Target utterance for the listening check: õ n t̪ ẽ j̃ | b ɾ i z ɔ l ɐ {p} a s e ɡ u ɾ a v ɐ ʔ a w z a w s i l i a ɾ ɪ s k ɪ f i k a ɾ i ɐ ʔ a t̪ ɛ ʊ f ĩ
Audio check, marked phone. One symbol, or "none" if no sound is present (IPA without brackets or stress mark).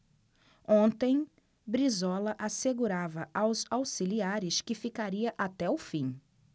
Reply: ʔ